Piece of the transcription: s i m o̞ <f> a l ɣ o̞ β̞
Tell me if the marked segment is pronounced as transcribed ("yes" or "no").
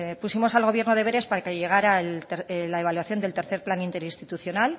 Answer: no